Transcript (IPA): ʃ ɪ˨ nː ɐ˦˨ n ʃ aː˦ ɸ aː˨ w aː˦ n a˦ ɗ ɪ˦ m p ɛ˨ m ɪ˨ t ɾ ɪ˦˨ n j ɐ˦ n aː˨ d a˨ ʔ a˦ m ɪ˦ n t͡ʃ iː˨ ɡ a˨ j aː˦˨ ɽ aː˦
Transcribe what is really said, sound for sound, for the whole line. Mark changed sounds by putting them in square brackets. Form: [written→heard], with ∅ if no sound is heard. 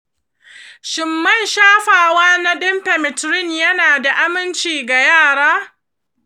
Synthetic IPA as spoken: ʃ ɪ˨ [nː→mː] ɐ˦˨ n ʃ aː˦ ɸ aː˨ w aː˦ n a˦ ɗ ɪ˦ m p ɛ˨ m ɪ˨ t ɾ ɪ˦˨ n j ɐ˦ n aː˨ d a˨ ʔ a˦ m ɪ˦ n t͡ʃ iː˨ ɡ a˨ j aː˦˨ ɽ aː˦